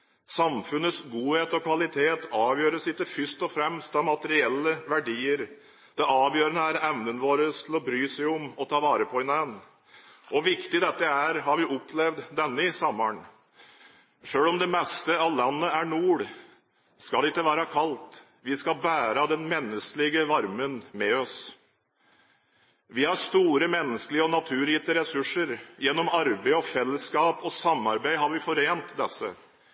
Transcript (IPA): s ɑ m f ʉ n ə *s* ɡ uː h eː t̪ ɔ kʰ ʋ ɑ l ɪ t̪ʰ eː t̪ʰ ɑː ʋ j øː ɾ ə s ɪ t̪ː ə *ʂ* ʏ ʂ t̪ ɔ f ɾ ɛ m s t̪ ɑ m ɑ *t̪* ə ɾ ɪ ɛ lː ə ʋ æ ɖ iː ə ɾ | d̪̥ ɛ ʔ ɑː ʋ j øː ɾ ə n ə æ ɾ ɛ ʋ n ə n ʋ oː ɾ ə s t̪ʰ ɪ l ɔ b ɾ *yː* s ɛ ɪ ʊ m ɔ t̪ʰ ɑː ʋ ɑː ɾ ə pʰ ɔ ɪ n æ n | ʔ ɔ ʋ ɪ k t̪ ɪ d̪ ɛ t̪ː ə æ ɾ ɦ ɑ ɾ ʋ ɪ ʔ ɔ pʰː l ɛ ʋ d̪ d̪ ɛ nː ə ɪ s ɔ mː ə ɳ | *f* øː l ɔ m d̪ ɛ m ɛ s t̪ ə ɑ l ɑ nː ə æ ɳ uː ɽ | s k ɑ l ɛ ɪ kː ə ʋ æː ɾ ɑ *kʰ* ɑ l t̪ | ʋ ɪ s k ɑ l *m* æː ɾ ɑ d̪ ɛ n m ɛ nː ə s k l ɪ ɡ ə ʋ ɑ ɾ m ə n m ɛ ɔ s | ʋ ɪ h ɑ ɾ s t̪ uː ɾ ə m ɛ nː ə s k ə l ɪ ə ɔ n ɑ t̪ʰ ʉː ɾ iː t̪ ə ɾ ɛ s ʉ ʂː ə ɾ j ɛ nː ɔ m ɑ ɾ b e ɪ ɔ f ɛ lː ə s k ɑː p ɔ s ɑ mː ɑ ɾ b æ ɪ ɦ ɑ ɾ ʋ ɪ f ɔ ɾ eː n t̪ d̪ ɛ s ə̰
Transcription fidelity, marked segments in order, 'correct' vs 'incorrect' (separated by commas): correct, incorrect, correct, correct, incorrect, correct, incorrect